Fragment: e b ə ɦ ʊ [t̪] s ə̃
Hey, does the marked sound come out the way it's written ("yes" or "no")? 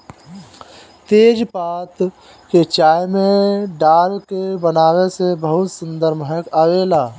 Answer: yes